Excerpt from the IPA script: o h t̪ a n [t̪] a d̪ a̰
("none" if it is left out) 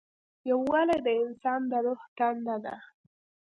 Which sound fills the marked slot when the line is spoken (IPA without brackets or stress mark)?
d̪